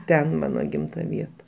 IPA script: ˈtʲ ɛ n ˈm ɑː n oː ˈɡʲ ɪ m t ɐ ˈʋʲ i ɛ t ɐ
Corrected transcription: ˈtʲ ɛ n ˈm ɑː n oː ˈɡʲ ɪ m t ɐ ˈʋʲ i ɛ t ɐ